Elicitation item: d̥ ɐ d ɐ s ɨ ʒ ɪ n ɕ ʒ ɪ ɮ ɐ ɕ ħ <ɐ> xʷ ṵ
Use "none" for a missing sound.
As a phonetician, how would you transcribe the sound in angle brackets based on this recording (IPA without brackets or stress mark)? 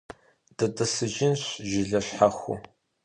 a